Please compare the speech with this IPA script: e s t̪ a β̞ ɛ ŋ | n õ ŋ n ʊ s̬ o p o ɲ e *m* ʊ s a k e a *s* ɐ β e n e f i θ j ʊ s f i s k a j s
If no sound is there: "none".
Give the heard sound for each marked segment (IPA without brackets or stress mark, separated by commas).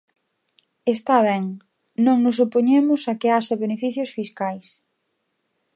m, ʃ